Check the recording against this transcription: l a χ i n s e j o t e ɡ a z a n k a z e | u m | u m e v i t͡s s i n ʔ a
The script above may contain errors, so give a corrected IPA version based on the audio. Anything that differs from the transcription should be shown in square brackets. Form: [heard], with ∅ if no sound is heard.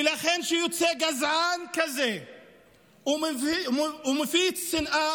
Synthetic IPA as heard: l a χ [e] n [ʃ] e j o [t͡s] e ɡ a z a n k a z e | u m | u m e [f] i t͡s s i n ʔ a